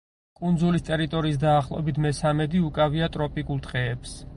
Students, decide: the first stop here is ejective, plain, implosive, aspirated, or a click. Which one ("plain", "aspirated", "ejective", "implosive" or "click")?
ejective